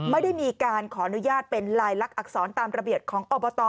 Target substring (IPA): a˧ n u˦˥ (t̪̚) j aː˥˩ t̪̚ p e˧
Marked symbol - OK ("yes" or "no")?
no